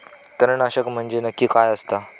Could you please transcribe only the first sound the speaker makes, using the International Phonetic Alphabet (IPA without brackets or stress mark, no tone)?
t̪